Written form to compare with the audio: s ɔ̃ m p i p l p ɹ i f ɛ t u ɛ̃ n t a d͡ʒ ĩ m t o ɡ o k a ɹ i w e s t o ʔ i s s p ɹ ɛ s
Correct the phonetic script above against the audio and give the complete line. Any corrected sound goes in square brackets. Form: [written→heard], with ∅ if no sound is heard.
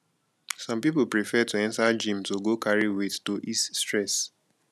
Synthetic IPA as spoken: s ɔ̃ m p i p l p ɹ i f ɛ t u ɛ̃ n t a d͡ʒ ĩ m t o ɡ o k a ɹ i w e [s→t] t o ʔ i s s [p→t] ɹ ɛ s